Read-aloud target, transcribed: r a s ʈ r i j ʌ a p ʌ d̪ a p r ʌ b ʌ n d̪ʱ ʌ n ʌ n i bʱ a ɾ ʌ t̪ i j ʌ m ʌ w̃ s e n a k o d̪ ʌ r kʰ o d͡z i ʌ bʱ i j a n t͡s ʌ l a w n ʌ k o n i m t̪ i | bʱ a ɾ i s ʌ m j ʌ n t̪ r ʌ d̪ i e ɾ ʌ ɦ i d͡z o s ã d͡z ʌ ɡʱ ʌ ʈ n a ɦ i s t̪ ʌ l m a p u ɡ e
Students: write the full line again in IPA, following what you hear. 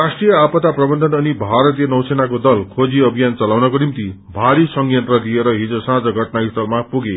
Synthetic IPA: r a s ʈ r i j ʌ a p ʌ t̪ a p r ʌ b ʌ n d̪ʱ ʌ n ʌ n i bʱ a ɾ ʌ t̪ i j ʌ n ʌ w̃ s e n a k o d̪ ʌ l kʰ o d͡z i ʌ bʱ i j a n t͡s ʌ l a w n ʌ k o n i m t̪ i | bʱ a ɾ i s ʌ ŋ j ʌ n t̪ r ʌ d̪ i e ɾ ʌ ɦ i d͡z o s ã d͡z ʌ ɡʱ ʌ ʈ n a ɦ i s t̪ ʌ l m a p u ɡ e

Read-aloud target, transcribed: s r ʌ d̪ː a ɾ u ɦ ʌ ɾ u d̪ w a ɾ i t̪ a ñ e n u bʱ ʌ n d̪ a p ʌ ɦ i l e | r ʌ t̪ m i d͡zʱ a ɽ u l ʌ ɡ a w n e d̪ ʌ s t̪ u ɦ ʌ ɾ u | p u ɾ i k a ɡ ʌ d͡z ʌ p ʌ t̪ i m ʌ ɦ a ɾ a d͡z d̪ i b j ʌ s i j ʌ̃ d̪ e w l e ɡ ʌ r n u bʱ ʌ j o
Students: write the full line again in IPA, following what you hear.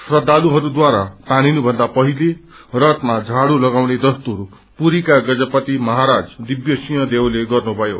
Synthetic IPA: s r ʌ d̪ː a l u ɦ ʌ ɾ u d̪ w a ɾ a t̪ a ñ i n u bʱ ʌ n d̪ a p ʌ ɦ i l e | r ʌ t̪ m a d͡zʱ a ɽ u l ʌ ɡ a w n e d̪ ʌ s t̪ u ɦ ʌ ɾ u | p u ɾ i k a ɡ ʌ d͡z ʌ p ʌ t̪ i m ʌ ɦ a ɾ a d͡z d̪ i b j ʌ s i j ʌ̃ d̪ e w l e ɡ ʌ r n u bʱ ʌ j o

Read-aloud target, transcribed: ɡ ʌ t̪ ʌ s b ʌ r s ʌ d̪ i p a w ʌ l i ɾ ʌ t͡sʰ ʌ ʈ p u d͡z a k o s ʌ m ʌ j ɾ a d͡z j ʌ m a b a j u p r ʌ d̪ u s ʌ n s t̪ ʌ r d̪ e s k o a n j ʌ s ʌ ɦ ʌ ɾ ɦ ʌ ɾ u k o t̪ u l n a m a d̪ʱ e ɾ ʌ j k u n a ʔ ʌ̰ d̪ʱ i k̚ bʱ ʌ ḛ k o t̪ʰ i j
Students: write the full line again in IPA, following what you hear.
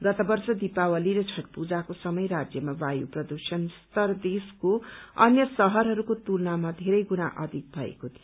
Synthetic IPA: ɡ ʌ t̪ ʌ b ʌ r s ʌ d̪ i p a w ʌ l i ɾ ʌ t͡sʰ ʌ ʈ p u d͡z a k o s ʌ m ʌ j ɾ a d͡z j ʌ m a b a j u p r ʌ d̪ u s ʌ n s t̪ ʌ r d̪ e s k o ʌ n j ʌ s ʌ ɦ ʌ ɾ ɦ ʌ ɾ u k o t̪ u l n a m a d̪ʱ e ɾ ʌ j ɡ u n a ʔ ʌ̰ d̪ʱ i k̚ bʱ ʌ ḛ k o t̪ʰ i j

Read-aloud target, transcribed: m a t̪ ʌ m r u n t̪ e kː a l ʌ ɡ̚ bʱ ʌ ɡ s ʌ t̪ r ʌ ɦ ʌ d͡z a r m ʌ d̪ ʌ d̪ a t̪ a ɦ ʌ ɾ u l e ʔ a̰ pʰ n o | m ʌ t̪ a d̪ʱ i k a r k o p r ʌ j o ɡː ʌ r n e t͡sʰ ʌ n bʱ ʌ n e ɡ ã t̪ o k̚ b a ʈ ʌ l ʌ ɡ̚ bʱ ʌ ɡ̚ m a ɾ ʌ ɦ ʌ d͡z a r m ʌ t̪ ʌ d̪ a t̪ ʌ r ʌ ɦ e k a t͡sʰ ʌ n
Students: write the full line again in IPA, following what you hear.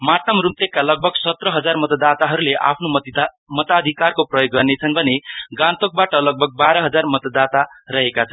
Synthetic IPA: m a t̪ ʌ m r u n t̪ e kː a l ʌ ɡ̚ bʱ ʌ ɡ s ʌ t̪ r ʌ ɦ ʌ d͡z a r m ʌ t̪ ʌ d̪ a t̪ a ɦ ʌ ɾ u l e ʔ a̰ pʰ n o | m ʌ t̪ a d̪ʱ i k a r k o p r ʌ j o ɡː ʌ r n e t͡sʰ ʌ n bʱ ʌ n e ɡ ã t̪ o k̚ b a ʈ ʌ l ʌ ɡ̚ bʱ ʌ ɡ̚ b a ɾ ʌ ɦ ʌ d͡z a r m ʌ t̪ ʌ d̪ a t̪ a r ʌ ɦ e k a t͡sʰ ʌ n

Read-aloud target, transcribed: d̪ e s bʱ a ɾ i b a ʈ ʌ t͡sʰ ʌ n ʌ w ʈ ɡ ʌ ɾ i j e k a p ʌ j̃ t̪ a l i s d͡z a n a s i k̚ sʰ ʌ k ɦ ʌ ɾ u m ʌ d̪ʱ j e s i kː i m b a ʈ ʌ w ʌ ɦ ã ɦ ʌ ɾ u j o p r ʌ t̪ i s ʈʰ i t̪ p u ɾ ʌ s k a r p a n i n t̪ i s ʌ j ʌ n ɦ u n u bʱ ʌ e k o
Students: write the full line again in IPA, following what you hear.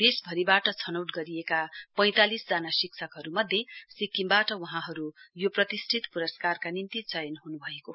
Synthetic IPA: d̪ e s bʱ ʌ ɾ i b a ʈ ʌ t͡sʰ ʌ n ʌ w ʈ ɡ ʌ ɾ i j e k a p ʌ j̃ t̪ a l i s d͡z a n a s i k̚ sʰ ʌ k ɦ ʌ ɾ u m ʌ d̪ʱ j e s i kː i m b a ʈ ʌ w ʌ ɦ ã ɦ ʌ ɾ u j o p r ʌ t̪ i s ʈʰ i t̪ p u ɾ ʌ s k a r k a n i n t̪ i t͡s ʌ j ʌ n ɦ u n u bʱ ʌ e k o

